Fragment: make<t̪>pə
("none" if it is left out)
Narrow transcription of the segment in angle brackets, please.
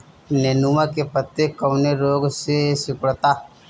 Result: none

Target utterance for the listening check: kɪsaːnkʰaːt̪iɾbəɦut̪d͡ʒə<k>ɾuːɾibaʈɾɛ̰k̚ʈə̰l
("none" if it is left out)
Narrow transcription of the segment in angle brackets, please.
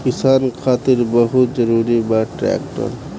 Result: none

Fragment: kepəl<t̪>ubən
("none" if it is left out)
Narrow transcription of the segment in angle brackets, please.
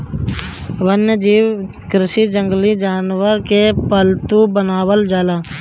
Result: t̪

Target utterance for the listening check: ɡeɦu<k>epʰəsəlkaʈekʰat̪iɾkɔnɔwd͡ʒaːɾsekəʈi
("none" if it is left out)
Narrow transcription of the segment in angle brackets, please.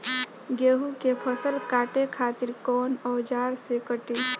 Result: k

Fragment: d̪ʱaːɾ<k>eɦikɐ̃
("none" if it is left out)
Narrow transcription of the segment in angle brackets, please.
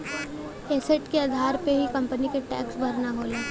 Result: p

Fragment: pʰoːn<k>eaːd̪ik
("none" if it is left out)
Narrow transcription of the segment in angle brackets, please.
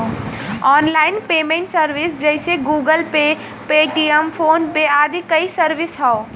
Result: p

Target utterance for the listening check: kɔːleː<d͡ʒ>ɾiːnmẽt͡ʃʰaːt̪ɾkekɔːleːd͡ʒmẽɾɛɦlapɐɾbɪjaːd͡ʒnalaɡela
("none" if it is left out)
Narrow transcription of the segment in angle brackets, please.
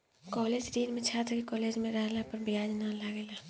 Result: d͡ʒ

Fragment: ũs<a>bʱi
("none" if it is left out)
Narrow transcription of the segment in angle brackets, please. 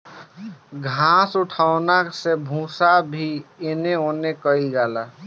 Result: a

